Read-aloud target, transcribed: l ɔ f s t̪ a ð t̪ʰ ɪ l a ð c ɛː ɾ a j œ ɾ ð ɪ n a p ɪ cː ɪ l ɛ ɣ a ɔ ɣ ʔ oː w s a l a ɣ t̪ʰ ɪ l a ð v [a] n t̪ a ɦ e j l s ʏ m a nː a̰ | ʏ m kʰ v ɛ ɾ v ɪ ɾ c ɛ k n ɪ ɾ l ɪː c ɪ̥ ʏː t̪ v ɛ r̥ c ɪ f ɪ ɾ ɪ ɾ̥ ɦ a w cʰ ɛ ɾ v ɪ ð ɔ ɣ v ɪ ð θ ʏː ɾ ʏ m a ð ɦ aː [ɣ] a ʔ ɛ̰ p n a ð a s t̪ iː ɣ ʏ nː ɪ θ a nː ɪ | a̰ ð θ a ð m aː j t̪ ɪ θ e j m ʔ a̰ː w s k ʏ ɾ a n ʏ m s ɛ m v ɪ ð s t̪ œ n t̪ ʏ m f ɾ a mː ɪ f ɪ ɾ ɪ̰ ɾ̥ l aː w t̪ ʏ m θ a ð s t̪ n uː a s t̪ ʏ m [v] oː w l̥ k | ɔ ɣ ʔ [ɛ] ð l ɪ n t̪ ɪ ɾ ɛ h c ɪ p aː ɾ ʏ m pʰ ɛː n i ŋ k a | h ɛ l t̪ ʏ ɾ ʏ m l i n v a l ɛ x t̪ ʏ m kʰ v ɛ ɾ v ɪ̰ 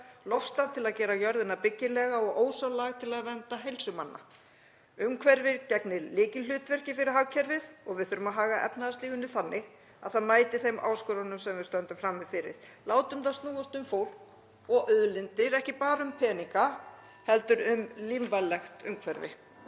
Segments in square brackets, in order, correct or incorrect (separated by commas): incorrect, correct, incorrect, incorrect